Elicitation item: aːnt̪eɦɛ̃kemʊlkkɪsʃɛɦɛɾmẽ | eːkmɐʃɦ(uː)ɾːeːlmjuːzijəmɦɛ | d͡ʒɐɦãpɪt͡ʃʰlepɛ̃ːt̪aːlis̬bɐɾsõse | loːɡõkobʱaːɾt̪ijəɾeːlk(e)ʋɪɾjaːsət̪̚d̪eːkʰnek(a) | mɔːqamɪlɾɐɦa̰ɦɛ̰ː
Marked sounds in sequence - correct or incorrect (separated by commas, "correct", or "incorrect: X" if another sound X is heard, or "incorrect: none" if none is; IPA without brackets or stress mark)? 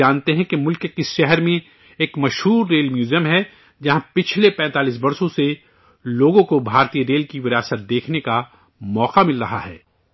correct, incorrect: i, correct